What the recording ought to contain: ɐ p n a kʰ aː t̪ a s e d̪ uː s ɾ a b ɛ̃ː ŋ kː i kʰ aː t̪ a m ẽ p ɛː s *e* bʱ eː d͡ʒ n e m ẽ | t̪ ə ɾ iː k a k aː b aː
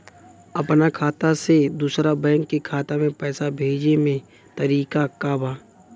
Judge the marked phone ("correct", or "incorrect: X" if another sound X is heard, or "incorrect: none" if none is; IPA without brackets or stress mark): incorrect: a